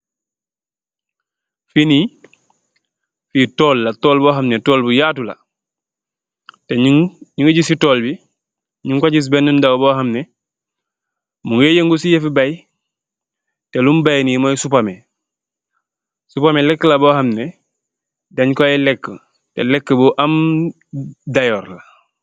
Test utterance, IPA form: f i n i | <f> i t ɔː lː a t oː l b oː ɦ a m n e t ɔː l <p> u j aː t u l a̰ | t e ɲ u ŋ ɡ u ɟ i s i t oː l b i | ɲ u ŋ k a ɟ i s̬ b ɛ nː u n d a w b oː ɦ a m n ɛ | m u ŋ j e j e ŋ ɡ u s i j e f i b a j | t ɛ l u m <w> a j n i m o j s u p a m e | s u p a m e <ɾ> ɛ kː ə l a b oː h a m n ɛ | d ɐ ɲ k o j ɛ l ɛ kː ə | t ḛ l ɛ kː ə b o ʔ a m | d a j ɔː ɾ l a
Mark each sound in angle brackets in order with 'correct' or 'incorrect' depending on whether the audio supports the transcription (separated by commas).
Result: correct, incorrect, incorrect, incorrect